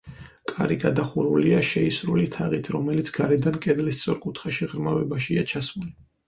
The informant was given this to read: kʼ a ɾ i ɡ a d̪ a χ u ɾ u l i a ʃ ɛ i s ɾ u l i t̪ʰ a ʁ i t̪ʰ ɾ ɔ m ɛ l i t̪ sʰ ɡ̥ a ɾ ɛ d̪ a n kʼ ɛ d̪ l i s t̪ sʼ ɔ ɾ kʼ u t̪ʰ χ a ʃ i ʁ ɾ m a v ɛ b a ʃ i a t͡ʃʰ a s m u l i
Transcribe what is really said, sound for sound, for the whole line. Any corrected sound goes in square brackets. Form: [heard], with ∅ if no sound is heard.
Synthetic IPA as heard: kʼ a ɾ i ɡ a d̪ a χ u ɾ u l i a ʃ ɛ i s ɾ u l i t̪ʰ a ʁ i t̪ʰ ɾ ɔ m ɛ l i t̪ sʰ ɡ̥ a ɾ ɛ d̪ a n kʼ ɛ d̪ l i s t̪ sʼ ɔ ɾ kʼ u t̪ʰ χ a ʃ i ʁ ɾ m a v ɛ b a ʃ i a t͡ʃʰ a s m u l i